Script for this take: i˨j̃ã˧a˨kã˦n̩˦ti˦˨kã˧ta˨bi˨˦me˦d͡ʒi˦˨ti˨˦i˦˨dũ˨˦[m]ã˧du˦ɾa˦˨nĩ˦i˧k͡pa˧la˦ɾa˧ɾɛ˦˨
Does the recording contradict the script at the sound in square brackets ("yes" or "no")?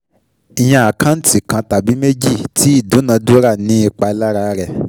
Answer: yes